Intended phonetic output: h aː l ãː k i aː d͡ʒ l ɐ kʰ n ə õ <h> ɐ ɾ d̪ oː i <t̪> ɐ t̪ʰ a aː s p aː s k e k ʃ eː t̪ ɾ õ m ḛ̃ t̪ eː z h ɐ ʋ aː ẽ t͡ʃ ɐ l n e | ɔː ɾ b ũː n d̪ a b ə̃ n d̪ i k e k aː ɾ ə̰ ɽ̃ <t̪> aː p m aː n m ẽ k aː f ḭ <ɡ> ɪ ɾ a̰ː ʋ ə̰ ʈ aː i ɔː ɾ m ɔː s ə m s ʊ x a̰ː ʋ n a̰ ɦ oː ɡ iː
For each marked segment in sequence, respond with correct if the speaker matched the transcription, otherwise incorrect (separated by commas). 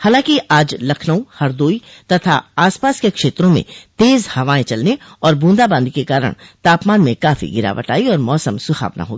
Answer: correct, correct, correct, correct